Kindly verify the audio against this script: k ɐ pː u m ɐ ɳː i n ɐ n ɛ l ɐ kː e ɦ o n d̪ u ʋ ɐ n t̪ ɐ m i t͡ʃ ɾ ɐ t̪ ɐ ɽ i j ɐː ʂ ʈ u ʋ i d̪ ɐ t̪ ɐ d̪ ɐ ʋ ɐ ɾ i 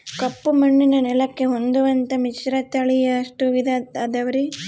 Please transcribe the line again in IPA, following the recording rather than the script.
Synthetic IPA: k ɐ pː u m ɐ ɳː i n ɐ n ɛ l ɐ kː e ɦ o n d̪ u ʋ ɐ n t̪ ɐ m i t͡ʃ ɾ ɐ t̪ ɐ ɭ i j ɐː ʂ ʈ u ʋ i d̪ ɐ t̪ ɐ d̪ ɐ ʋ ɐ ɾ i